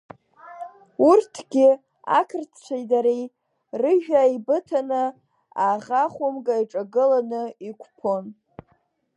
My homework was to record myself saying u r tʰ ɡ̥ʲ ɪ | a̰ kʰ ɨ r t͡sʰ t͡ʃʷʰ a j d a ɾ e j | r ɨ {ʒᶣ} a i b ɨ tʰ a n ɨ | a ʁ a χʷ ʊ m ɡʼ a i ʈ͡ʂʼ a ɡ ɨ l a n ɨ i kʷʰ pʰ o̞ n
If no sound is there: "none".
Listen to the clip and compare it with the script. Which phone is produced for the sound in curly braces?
ʒᶣ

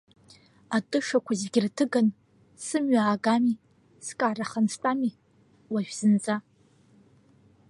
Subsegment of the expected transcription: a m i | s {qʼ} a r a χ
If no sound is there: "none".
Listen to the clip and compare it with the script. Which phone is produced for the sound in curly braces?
kʼ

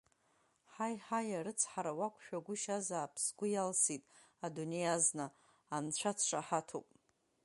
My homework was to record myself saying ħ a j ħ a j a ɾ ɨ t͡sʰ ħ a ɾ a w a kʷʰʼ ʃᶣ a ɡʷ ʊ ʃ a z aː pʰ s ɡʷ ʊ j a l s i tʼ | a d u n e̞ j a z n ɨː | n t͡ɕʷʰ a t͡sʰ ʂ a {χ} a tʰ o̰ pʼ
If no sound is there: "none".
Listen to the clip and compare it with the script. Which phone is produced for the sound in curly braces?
ħ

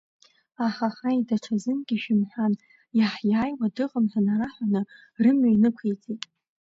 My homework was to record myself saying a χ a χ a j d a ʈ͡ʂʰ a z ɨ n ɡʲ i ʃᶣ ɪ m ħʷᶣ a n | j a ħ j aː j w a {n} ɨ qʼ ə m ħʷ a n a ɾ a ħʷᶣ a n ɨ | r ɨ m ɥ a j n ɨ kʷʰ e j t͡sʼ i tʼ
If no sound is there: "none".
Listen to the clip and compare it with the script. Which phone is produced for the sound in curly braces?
d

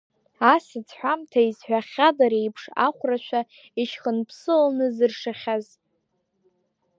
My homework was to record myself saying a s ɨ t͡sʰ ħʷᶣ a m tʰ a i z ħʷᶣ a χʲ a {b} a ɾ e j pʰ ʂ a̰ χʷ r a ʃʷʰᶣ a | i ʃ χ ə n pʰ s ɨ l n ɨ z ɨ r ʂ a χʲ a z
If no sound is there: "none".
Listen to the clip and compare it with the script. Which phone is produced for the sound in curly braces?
d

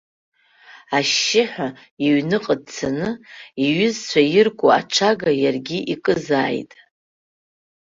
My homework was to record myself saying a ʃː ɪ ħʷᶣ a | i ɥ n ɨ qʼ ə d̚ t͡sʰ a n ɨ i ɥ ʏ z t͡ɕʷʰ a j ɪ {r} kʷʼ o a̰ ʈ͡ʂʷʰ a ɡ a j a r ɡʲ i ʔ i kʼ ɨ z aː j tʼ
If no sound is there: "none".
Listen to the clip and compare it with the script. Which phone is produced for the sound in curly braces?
r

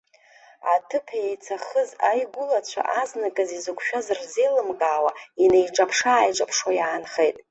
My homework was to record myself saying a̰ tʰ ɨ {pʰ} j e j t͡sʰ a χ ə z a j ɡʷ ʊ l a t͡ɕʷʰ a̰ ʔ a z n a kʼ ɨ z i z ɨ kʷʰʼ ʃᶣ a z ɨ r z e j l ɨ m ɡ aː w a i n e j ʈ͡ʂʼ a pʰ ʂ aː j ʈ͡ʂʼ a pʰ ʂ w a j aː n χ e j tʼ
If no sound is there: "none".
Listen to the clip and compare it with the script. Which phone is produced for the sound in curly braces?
pʰ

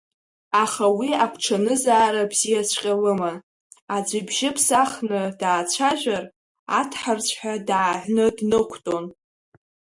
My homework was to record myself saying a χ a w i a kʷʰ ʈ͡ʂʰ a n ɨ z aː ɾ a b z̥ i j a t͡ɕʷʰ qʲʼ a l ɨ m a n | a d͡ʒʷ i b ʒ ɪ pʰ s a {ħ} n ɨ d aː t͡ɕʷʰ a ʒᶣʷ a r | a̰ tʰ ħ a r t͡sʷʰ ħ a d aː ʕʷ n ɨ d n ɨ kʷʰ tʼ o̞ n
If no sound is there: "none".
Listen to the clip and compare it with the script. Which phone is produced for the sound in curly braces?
χ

